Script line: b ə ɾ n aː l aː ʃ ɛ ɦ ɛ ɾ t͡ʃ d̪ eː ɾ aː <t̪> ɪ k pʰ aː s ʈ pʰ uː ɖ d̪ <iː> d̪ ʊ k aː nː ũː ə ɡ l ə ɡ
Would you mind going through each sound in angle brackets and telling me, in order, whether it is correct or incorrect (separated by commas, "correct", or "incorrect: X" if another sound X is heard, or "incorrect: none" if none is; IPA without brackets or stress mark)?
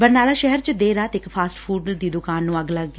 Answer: correct, correct